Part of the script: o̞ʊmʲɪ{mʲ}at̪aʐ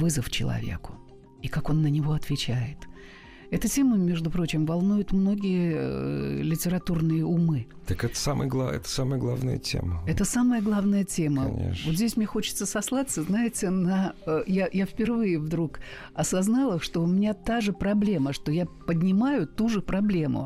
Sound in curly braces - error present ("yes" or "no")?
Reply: yes